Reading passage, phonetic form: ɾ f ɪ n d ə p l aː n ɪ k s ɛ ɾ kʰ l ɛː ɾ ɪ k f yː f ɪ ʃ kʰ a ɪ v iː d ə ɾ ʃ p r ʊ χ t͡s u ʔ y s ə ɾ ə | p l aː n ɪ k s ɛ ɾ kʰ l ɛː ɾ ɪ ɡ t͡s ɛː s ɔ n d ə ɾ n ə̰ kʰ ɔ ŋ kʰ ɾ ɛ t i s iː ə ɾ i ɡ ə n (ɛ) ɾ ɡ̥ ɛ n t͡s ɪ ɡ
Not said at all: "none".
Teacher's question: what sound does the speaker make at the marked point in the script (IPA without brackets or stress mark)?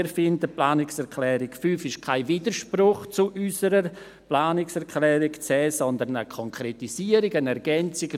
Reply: ɛ